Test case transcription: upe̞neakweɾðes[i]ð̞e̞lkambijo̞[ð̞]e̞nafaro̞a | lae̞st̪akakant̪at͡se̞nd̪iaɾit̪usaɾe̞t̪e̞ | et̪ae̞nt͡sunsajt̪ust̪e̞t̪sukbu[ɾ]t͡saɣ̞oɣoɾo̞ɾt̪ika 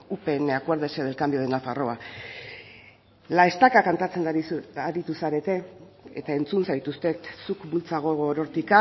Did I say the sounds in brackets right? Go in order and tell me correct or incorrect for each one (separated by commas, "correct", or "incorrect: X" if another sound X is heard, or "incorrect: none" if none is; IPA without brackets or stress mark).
incorrect: e, correct, incorrect: l